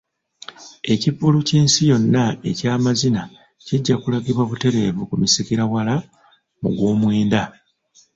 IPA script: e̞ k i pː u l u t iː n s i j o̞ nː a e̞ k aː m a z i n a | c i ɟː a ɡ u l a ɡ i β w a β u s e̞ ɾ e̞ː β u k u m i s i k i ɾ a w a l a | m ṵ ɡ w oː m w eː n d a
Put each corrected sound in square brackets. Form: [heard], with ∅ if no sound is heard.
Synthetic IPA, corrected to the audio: e̞ [c] i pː u l u [c] iː n s i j o̞ nː a e̞ [c] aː m a z i n a | c i ɟː a [k] u l a ɡ i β w a β u [t] e̞ ɾ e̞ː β u k u m i s i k i ɾ a w a l a | m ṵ ɡ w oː m w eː n d a